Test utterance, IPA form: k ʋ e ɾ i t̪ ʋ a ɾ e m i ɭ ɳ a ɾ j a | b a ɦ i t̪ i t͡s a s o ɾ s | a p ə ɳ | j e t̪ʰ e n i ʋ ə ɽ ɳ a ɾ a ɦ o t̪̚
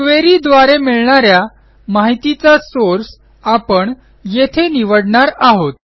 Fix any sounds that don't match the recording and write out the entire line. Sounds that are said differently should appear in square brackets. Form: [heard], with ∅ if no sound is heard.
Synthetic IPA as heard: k ʋ e ɾ i [d̪] ʋ a ɾ e m i ɭ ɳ a ɾ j a | [m] a ɦ i t̪ i t͡s a s o ɾ s | a p ə ɳ | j e t̪ʰ e n i ʋ ə ɽ ɳ a ɾ a ɦ o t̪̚